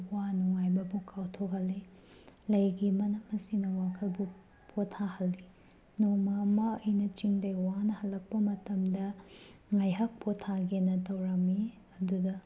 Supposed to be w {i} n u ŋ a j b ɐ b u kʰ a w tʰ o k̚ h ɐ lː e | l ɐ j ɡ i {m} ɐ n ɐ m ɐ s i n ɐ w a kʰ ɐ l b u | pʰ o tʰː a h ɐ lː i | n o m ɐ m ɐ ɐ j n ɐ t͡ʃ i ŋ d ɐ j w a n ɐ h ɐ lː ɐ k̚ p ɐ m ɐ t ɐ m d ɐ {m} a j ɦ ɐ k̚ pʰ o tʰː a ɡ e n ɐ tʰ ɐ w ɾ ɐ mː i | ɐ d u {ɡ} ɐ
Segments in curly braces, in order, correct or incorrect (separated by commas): incorrect, correct, incorrect, incorrect